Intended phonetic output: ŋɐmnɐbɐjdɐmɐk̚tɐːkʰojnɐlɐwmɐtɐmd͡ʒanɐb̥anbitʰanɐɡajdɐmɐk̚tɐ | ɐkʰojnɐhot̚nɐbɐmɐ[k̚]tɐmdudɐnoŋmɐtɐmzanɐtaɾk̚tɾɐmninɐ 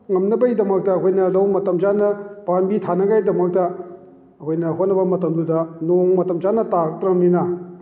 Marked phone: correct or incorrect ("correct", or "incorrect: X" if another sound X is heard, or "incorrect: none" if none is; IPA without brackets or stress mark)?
incorrect: none